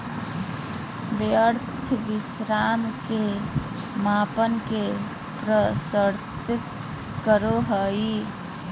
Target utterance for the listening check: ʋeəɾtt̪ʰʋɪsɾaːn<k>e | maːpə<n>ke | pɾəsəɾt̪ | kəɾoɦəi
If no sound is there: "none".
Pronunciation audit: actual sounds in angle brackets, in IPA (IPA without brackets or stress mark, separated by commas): k, n